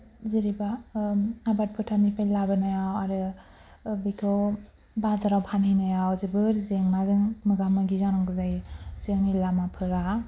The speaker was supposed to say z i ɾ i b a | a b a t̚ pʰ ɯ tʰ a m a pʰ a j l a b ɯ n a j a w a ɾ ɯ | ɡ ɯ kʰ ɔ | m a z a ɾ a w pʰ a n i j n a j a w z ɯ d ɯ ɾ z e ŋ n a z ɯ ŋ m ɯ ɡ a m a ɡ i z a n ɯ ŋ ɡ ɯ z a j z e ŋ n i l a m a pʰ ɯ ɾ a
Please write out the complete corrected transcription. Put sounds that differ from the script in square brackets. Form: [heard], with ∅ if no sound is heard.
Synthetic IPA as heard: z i ɾ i b a | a b a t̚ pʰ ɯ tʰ a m [i] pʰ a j l a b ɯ n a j a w a ɾ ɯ | [b] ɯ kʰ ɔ | [b] a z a ɾ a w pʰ a n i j n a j a w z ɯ [b] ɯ ɾ z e ŋ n a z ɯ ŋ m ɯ ɡ a m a ɡ i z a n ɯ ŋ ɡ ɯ z a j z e ŋ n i l a m a pʰ ɯ ɾ a